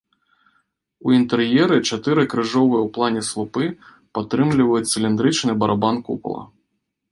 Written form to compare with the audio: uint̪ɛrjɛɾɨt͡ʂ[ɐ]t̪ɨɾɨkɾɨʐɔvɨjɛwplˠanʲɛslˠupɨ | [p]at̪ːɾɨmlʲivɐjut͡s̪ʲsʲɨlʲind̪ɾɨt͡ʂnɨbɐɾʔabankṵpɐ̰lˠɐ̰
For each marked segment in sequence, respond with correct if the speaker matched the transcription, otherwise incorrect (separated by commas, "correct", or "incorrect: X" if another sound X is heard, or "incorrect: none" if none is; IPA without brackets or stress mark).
incorrect: a, correct